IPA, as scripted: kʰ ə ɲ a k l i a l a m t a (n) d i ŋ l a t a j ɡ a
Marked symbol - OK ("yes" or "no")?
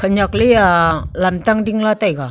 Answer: no